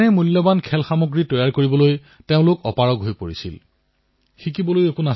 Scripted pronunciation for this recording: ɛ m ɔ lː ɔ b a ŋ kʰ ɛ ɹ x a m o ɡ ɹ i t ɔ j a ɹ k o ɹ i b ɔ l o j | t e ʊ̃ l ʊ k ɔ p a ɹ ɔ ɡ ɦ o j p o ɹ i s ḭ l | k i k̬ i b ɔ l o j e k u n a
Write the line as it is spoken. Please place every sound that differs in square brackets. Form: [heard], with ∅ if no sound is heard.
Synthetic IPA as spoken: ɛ m [u] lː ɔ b a [n] kʰ ɛ [l] x a m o ɡ ɹ i t ɔ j a ɹ k o ɹ i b ɔ l o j | t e ʊ̃ l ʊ k ɔ p a ɹ ɔ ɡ ɦ o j p o ɹ i s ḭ l | [x] i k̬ i b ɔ l o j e k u n a